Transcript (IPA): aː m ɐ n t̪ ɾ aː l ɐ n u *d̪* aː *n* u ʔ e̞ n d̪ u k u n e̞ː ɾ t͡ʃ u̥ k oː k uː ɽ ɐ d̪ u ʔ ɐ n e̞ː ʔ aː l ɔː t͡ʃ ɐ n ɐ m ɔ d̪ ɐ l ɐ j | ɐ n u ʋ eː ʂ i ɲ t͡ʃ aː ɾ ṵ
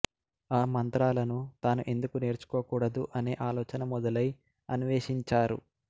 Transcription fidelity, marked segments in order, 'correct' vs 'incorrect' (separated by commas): incorrect, correct